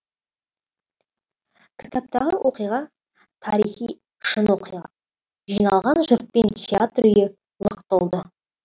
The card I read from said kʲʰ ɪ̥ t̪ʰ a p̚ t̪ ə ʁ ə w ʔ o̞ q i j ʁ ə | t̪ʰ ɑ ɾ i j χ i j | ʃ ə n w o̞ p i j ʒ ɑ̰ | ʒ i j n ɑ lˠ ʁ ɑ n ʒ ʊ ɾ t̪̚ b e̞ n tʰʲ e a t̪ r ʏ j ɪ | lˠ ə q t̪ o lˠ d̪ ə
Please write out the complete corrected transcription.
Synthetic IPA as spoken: kʲʰ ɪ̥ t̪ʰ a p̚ t̪ ɑ ʁ ə w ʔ o̞ q i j ʁ ɑ | t̪ʰ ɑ ɾ i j χ i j | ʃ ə n w o̞ q i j ʁ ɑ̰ | ʒ i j n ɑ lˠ ʁ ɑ n ʒ ʊ ɾ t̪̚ p e̞ n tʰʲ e a t̪ r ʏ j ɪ | lˠ ə q t̪ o lˠ d̪ ə